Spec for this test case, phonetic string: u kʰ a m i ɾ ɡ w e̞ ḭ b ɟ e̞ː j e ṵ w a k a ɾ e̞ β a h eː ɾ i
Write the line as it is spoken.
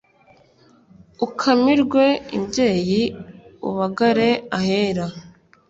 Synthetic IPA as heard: u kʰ a m i ɾ ɡ w e̞ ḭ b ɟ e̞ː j i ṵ β a ɡ a ɾ e̞ a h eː ɾ a